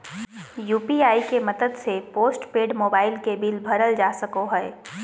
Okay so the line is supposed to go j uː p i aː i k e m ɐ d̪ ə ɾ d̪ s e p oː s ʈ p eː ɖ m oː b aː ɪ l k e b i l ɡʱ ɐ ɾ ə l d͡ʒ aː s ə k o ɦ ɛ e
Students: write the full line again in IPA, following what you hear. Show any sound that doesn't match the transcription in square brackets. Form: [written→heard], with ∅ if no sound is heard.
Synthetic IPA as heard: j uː p i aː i k e m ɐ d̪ ə [ɾ→∅] d̪ s e p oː s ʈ p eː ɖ m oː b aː ɪ l k e b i l [ɡʱ→bʱ] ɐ ɾ ə l d͡ʒ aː s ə k o ɦ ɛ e

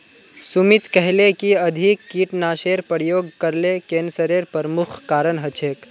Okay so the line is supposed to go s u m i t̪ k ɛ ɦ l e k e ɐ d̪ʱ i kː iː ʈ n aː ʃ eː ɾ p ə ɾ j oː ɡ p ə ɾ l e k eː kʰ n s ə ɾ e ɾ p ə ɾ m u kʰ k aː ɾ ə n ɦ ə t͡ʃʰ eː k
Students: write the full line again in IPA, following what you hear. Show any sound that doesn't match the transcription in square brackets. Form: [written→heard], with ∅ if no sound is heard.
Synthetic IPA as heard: s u m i t̪ k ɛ ɦ l e k [e→i] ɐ d̪ʱ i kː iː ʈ n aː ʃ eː ɾ p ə ɾ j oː ɡ [p→k] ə ɾ l e k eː [kʰ→∅] n s ə ɾ e ɾ p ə ɾ m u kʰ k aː ɾ ə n ɦ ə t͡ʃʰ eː k

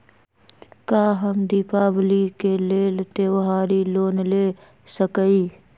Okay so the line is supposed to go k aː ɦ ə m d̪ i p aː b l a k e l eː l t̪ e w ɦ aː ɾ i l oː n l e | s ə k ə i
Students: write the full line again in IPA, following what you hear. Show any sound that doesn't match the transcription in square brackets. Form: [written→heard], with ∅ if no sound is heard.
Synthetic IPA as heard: k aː ɦ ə m d̪ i p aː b l [a→i] k e l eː l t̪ e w ɦ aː ɾ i l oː n l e | s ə k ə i

